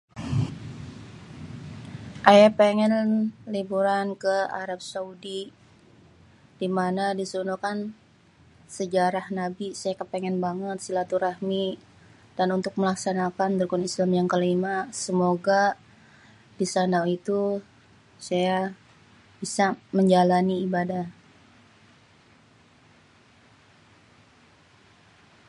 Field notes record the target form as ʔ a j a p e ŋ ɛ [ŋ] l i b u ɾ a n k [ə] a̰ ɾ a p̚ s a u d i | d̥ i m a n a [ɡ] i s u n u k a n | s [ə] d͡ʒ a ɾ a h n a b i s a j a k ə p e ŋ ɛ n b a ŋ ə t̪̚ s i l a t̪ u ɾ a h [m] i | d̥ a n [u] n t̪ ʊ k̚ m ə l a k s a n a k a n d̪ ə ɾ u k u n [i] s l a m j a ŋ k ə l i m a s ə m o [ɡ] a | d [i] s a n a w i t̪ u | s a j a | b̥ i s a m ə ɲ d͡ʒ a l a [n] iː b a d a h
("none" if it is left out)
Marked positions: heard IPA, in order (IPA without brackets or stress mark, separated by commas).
n, ə, d, ə, m, u, i, ɡ, i, n